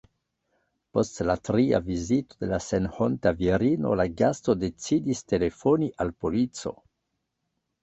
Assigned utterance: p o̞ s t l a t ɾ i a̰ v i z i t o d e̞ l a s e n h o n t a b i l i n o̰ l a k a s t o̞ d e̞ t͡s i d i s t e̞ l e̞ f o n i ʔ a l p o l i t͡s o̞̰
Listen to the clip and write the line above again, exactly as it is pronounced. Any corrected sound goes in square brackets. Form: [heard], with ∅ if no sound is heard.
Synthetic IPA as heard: p o̞ s t l a t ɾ i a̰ v i z i t o d e̞ l a s e n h o n t a [v] i [ɾ] i n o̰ l a [ɡ] a s t o̞ d e̞ t͡s i d i s t e̞ l e̞ f o n i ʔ a l p o l i t͡s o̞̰